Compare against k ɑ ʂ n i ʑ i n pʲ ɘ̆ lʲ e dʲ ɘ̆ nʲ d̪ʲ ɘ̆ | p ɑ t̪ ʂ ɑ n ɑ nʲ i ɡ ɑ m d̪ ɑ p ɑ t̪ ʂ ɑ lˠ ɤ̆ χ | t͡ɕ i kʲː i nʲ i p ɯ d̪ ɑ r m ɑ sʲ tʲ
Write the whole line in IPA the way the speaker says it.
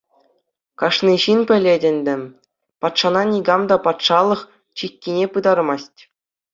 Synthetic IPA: k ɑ ʂ n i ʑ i n pʲ ɘ̆ lʲ e dʲ ɘ̆ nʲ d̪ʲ ɘ̆ | p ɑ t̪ ʂ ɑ n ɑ nʲ i ɡ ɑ m d̪ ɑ p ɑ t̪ ʂ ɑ lˠ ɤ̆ χ | t͡ɕ i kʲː i nʲ e p ɯ d̪ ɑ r m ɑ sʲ tʲ